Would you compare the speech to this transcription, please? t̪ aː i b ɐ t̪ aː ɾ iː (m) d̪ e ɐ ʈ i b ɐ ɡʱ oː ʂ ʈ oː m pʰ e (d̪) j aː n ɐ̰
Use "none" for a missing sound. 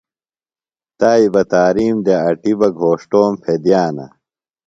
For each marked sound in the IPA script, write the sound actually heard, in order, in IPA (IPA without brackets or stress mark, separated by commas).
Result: m, d̪